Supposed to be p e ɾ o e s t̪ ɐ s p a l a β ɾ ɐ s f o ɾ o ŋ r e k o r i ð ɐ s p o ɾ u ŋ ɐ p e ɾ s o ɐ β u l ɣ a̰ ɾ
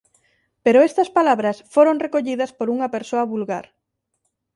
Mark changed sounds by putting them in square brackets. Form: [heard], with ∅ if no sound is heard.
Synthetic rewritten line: p e ɾ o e s t̪ ɐ s p a l a β ɾ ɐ s f o ɾ o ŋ r e k o [ʎ] i ð ɐ s p o ɾ u ŋ ɐ p e ɾ s o ɐ β u l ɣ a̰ ɾ